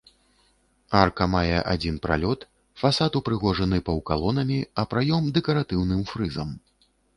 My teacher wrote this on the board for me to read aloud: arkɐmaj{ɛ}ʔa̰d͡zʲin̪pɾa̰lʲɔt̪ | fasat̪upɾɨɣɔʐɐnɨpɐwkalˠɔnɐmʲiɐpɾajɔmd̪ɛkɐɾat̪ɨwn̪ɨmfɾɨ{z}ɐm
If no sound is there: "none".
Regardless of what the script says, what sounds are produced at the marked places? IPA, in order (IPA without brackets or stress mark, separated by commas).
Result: ɛ, z